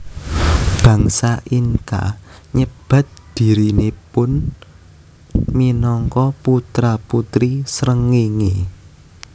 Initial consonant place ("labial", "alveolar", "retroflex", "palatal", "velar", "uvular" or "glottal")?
labial